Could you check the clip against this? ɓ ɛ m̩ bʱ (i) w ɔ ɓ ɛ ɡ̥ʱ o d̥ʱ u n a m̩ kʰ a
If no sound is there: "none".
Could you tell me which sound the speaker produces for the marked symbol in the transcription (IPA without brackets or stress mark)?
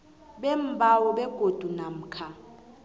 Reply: a